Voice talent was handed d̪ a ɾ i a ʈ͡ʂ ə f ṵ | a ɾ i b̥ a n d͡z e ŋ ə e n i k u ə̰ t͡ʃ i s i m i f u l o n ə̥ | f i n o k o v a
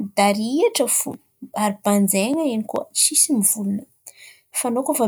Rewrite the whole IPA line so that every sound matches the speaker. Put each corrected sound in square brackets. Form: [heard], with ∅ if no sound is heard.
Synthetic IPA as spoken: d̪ a ɾ i a ʈ͡ʂ ə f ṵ | a ɾ i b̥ a n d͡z e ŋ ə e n i k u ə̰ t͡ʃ i s i m i [v] u l [u] n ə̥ | f [a] n o k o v a